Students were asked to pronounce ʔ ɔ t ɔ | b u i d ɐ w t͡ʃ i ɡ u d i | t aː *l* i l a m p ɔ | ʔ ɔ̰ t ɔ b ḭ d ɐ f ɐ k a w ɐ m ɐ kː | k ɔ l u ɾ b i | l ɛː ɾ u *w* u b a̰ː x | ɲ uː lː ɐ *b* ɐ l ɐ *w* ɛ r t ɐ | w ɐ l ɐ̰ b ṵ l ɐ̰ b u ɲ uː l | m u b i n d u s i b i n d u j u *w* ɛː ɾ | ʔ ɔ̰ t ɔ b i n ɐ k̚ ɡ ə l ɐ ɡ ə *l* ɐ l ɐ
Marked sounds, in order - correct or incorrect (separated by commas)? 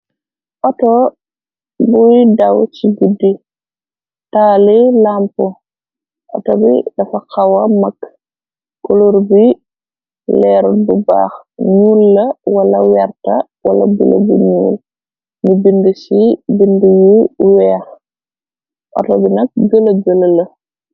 correct, incorrect, incorrect, correct, correct, correct